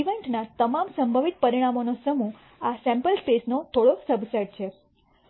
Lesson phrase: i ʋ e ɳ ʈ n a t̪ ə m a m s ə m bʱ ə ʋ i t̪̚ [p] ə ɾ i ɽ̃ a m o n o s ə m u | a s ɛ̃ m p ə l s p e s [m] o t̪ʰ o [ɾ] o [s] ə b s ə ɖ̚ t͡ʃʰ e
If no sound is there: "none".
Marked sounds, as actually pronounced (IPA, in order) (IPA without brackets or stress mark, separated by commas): p, n, ɽ, s